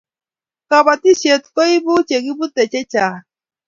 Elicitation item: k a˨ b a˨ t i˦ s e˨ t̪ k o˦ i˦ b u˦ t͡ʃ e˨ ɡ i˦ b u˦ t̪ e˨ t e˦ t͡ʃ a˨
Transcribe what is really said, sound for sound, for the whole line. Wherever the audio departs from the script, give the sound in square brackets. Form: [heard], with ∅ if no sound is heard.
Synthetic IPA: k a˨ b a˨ t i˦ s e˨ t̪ k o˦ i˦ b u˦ t͡ʃ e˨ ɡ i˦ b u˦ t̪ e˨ [t͡ʃ] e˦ t͡ʃ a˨